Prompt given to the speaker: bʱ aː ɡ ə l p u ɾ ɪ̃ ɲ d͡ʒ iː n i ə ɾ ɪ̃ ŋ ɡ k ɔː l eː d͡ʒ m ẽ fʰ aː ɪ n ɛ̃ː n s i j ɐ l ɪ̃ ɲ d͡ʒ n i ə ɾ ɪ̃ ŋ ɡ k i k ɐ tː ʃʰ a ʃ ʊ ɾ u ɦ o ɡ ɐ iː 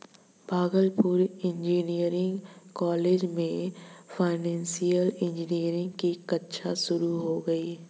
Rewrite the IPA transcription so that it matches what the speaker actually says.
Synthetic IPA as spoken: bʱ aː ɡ ə l p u ɾ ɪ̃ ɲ d͡ʒ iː n i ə ɾ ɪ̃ ŋ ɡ k ɔː l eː d͡ʒ m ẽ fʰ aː ɪ n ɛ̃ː n s i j ə l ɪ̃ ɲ d͡ʒ n i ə ɾ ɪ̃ ŋ ɡ k i k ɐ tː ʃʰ a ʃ ʊ ɾ u ɦ o ɡ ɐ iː